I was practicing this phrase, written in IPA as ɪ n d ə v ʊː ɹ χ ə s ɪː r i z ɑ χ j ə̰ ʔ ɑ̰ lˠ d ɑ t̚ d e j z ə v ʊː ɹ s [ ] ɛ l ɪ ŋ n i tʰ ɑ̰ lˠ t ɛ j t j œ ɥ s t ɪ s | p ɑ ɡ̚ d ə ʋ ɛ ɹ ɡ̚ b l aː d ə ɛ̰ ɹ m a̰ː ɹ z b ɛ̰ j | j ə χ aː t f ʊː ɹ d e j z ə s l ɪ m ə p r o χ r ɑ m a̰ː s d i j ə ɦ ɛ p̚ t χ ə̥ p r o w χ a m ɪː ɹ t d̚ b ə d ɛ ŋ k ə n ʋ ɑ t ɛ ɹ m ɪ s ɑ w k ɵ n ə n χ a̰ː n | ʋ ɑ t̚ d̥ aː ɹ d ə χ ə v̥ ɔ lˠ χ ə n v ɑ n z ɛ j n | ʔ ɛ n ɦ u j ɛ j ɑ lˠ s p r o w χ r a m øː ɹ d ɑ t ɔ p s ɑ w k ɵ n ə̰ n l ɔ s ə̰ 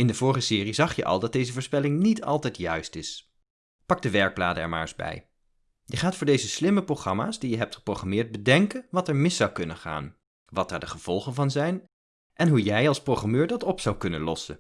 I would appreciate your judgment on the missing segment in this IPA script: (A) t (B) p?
B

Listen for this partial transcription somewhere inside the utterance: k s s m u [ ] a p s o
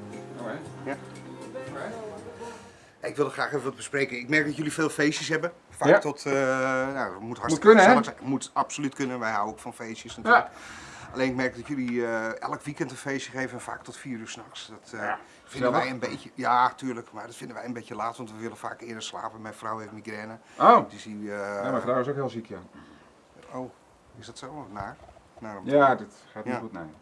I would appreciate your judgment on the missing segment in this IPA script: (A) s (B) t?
B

